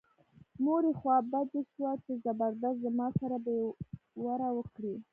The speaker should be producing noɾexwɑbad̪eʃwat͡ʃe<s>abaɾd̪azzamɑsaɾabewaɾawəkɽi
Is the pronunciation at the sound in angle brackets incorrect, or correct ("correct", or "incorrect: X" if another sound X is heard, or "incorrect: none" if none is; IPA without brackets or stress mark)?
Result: incorrect: z